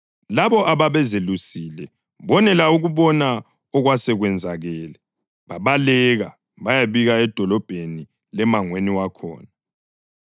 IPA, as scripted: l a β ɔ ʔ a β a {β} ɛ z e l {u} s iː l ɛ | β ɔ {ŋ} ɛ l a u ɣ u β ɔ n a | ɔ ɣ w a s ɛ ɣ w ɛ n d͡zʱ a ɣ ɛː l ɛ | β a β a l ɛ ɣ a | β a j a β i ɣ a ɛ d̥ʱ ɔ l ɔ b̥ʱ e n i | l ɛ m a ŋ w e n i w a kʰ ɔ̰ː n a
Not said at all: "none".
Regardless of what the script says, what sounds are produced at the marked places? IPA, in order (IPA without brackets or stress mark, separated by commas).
β, u, n